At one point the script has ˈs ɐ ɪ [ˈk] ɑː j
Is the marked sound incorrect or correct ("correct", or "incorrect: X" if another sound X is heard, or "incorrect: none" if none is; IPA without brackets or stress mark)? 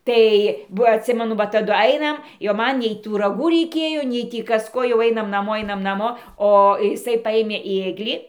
incorrect: p